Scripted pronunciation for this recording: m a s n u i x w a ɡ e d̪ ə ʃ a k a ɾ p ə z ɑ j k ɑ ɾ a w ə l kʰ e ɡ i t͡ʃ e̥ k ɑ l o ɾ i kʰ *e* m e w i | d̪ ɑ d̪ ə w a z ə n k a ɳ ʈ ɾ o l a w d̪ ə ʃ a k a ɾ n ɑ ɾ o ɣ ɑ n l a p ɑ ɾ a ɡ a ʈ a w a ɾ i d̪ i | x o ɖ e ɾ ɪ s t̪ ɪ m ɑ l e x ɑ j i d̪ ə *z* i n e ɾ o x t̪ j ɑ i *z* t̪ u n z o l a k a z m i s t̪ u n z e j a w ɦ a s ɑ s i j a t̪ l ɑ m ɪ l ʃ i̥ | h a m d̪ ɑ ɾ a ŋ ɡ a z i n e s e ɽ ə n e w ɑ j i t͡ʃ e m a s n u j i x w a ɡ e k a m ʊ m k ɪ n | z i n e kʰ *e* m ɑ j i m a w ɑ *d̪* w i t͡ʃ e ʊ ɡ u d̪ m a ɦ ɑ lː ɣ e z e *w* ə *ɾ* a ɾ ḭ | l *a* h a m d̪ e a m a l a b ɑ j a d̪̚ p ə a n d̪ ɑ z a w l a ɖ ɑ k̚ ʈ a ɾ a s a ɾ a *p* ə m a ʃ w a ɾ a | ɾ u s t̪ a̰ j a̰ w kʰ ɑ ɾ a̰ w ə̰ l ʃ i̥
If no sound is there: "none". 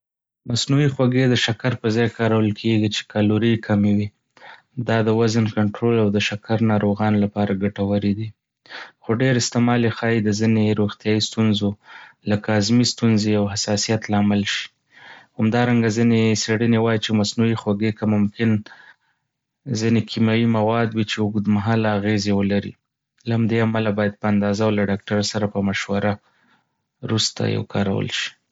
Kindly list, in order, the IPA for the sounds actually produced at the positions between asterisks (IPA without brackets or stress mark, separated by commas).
a, z, s, i, d̪, w, l, a, p